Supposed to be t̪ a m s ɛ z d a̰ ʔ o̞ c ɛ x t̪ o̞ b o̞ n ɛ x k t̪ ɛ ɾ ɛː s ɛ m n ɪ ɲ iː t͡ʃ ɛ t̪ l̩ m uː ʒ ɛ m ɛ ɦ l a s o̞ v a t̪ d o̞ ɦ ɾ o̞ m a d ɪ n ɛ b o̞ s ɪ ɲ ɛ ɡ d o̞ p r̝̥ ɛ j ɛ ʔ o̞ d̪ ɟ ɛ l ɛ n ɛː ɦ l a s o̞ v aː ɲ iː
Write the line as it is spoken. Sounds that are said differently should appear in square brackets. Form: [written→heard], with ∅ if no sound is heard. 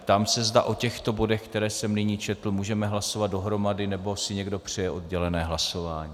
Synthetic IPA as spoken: t̪ a m s ɛ z d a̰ ʔ o̞ c ɛ x t̪ o̞ b o̞ [n→d] ɛ x k t̪ ɛ ɾ ɛː s ɛ m n ɪ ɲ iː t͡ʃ ɛ t̪ l̩ m uː ʒ ɛ m ɛ ɦ l a s o̞ v a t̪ d o̞ ɦ ɾ o̞ m a d ɪ n ɛ b o̞ s ɪ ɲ ɛ ɡ d o̞ p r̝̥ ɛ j ɛ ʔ o̞ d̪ ɟ ɛ l ɛ n ɛː ɦ l a s o̞ v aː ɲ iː